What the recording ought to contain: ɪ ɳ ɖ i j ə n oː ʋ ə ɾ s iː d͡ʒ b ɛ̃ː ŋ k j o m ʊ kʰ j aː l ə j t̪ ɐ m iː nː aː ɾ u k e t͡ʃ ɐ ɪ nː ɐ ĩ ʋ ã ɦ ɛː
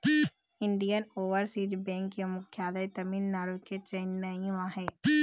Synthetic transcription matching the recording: ɪ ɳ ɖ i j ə n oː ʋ ə ɾ s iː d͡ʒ b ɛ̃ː ŋ k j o m ʊ kʰ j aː l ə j t̪ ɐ m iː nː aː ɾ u k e t͡ʃ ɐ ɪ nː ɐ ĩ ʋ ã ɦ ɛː